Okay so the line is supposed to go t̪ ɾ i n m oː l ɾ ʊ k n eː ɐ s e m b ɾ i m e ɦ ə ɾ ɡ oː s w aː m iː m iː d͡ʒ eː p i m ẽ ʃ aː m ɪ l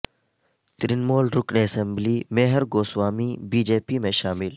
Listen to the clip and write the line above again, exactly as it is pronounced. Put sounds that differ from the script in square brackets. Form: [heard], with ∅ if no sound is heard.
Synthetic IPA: t̪ ɾ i n m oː l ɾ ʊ k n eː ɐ s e m b [l] i m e ɦ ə ɾ ɡ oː s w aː m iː [b] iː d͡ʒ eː p i m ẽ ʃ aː m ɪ l